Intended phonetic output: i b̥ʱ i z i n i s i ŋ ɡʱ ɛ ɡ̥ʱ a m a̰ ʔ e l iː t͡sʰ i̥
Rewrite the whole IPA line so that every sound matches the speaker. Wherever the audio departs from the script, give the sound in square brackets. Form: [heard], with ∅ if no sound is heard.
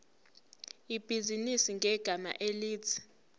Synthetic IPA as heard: i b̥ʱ i z i n i s i ŋ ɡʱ ɛ ɡ̥ʱ a m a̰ ʔ e l iː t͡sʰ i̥